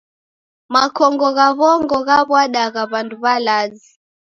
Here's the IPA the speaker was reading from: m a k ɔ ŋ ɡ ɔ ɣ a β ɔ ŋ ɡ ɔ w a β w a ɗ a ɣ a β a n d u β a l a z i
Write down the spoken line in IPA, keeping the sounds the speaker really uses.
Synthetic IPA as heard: m a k ɔ ŋ ɡ ɔ ɣ a β ɔ ŋ ɡ ɔ ɣ a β w a ɗ a ɣ a β a n d u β a l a z i